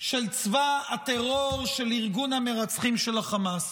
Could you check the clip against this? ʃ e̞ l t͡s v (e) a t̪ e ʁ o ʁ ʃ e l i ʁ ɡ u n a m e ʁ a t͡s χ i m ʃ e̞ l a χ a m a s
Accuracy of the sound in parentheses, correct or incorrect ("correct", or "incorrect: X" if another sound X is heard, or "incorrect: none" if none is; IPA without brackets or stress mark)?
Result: incorrect: a